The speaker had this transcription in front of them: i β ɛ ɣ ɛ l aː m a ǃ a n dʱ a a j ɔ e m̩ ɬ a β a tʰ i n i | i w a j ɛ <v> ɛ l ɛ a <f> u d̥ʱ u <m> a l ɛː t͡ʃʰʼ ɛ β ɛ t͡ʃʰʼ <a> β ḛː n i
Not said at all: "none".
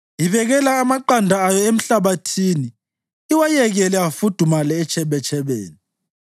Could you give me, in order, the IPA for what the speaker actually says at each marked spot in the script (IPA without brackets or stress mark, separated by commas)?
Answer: ɣ, f, m, ɛ